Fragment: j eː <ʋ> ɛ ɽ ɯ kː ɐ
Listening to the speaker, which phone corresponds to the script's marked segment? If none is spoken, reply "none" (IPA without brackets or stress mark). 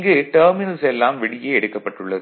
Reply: none